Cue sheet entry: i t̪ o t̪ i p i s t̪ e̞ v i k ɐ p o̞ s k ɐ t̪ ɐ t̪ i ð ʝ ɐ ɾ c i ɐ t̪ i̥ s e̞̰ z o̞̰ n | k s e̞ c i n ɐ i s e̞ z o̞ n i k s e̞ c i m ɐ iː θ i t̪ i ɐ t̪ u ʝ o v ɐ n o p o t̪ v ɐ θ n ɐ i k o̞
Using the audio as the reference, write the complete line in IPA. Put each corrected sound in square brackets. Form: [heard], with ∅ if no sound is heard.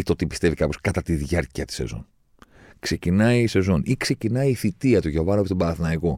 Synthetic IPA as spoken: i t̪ o t̪ i p i s t̪ e̞ v i k ɐ p o̞ s k ɐ t̪ ɐ t̪ i ð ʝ ɐ ɾ c i ɐ t̪ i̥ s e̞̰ z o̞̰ n | k s e̞ c i n ɐ i s e̞ z o̞ n i k s e̞ c i [n] ɐ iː θ i t̪ i ɐ t̪ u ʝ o v ɐ n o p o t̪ [b] ɐ θ n ɐ i k o̞